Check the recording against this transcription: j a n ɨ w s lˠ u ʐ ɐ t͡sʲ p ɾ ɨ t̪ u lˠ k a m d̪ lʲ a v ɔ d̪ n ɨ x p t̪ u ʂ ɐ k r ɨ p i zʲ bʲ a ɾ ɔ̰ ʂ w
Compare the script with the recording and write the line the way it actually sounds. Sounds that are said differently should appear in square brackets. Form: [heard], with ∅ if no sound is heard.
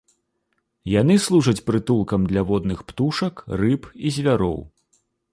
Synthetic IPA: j a n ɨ [∅] s lˠ u ʐ ɐ t͡sʲ p ɾ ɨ t̪ u lˠ k [ɐ] m d̪ lʲ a v ɔ d̪ n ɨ x p t̪ u ʂ ɐ k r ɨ p i zʲ [vʲ] a ɾ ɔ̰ [∅] w